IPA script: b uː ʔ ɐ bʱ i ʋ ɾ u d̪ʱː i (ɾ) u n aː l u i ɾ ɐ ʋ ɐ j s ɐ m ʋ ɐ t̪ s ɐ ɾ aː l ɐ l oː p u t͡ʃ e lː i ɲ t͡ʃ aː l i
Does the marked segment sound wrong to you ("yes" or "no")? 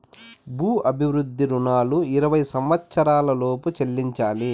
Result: no